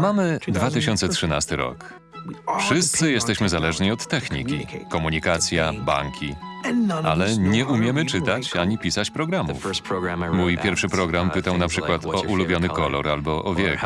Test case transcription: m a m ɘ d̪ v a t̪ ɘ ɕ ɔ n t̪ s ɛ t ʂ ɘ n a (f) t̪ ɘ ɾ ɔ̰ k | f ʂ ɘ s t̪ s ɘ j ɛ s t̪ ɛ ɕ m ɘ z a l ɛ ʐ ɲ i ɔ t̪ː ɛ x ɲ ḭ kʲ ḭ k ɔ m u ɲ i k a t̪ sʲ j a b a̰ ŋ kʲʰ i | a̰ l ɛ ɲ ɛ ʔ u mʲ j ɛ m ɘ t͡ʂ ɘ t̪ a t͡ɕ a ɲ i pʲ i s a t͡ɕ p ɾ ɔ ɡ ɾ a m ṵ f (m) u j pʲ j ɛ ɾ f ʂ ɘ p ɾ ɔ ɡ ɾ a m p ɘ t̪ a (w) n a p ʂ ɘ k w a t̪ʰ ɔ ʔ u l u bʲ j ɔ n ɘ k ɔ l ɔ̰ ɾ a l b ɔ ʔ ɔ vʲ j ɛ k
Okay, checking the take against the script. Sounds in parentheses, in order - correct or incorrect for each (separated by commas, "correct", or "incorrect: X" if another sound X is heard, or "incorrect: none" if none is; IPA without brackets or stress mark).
incorrect: s, correct, correct